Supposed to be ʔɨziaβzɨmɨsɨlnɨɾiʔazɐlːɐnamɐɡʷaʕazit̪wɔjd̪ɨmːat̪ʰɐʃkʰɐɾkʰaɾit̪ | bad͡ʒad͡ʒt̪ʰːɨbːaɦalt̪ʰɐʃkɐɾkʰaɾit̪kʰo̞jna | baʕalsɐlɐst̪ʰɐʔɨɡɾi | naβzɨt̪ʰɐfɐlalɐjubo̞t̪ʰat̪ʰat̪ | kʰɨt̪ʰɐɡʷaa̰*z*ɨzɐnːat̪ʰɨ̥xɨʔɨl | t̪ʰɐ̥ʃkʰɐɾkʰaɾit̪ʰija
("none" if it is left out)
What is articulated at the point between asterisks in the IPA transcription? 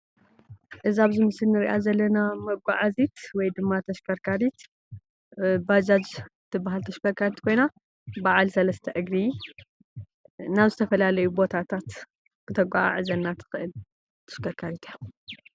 ʕ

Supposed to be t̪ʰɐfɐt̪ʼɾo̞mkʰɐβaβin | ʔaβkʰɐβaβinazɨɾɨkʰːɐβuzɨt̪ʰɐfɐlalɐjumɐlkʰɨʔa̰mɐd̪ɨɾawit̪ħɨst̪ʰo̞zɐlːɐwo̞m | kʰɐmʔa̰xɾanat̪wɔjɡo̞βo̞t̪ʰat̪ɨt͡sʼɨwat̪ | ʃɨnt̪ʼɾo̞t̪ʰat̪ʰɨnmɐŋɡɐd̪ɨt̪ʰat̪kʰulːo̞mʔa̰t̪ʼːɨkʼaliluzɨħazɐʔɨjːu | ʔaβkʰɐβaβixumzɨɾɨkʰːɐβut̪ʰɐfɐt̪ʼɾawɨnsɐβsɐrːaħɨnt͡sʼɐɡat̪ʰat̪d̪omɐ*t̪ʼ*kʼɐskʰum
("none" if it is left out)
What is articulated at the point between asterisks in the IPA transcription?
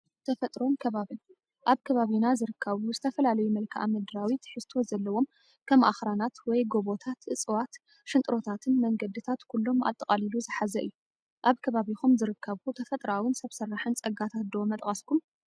t̪ʼ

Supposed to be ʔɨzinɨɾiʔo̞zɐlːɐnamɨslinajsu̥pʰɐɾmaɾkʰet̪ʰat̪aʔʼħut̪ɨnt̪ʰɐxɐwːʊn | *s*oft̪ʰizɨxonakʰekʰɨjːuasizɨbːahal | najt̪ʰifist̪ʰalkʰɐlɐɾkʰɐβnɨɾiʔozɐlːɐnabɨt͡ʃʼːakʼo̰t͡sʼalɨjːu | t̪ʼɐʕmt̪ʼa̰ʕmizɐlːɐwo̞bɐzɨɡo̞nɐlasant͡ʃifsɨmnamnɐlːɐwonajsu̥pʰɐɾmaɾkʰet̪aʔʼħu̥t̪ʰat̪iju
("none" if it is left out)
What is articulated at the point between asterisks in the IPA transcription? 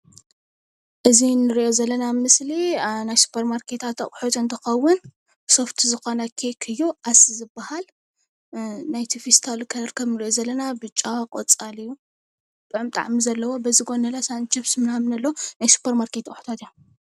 s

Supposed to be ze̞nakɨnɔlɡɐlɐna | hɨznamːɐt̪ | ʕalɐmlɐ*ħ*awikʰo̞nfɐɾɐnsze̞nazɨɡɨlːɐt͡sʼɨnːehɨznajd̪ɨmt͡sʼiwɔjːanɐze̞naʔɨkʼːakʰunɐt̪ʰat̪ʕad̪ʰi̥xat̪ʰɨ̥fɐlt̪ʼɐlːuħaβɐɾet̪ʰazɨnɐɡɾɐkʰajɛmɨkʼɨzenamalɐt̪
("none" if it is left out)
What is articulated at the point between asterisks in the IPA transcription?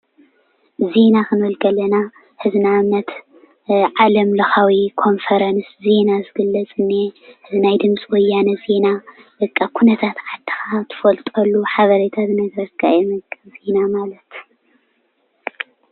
x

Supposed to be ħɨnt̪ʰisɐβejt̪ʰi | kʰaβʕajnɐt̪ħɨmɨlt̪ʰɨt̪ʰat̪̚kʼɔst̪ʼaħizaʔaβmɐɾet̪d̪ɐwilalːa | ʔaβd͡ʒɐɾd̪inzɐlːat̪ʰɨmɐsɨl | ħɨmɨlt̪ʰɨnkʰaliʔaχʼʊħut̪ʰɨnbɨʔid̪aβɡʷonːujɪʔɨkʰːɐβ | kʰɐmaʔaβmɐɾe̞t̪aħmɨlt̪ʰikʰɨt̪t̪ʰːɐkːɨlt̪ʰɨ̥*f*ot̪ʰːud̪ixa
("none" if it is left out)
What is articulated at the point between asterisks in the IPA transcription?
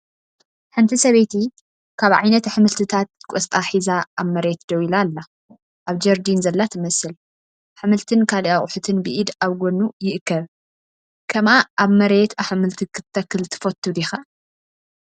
f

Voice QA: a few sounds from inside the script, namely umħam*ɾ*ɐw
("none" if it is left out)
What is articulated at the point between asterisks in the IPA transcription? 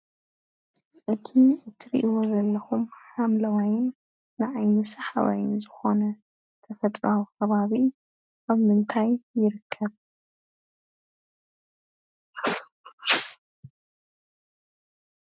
l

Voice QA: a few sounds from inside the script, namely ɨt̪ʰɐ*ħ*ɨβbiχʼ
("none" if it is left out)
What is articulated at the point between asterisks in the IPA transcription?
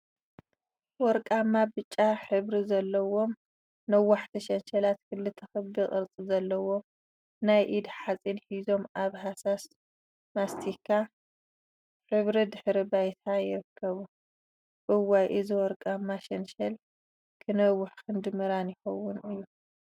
x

